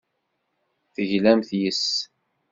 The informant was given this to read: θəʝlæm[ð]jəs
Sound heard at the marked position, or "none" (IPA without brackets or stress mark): θ